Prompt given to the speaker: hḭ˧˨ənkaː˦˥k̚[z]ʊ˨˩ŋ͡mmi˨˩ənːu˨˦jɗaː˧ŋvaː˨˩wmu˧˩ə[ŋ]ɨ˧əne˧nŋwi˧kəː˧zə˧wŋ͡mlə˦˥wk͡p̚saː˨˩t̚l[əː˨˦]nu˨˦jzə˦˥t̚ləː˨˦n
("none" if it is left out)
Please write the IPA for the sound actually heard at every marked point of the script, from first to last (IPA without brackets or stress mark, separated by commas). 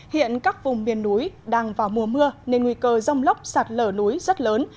v, m, əː˧˩